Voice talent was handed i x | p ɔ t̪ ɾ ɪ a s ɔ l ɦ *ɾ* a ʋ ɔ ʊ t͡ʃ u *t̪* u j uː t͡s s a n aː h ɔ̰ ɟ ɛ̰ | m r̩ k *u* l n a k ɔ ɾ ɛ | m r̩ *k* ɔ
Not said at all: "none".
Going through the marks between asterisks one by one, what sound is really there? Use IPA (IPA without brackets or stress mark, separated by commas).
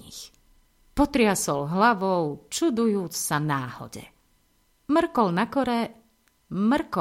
l, d̪, ɔ, k